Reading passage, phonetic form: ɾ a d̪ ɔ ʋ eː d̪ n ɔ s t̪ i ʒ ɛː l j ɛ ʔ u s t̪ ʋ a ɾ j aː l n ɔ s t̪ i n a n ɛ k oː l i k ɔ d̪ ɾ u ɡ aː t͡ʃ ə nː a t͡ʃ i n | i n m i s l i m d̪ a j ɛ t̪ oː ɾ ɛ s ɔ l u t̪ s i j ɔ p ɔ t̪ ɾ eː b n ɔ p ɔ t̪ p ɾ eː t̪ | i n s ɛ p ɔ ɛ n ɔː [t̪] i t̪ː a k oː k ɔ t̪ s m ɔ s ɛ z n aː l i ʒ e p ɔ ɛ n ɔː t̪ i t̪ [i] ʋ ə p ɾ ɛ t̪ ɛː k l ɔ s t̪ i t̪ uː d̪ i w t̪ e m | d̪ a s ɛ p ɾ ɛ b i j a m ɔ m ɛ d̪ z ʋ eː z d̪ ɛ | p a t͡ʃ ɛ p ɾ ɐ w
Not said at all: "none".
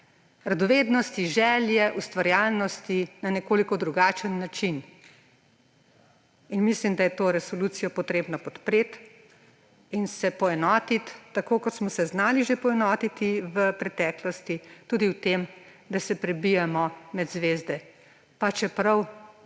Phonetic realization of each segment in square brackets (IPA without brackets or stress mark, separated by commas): t̪, i